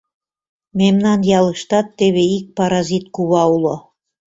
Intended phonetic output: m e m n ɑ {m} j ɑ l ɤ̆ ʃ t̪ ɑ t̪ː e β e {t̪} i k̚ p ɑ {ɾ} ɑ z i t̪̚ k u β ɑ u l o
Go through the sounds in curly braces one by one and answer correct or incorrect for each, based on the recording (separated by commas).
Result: incorrect, incorrect, correct